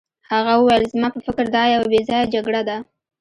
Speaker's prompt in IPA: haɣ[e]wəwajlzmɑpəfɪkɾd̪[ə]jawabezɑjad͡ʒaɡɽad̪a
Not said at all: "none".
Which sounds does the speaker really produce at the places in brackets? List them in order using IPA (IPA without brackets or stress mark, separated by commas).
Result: a, ɑ